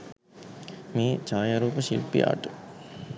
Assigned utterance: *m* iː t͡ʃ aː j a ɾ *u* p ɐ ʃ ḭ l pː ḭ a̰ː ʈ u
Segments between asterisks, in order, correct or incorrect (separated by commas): correct, incorrect